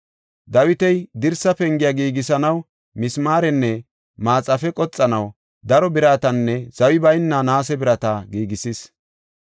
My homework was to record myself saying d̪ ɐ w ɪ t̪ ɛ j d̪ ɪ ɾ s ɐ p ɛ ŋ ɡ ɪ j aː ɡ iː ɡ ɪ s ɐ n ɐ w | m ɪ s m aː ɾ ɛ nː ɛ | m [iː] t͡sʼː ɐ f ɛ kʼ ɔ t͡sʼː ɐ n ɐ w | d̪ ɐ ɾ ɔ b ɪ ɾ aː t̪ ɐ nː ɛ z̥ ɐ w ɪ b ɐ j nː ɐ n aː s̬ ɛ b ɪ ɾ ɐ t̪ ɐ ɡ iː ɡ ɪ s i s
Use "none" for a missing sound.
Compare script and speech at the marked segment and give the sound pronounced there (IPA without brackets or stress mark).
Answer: aː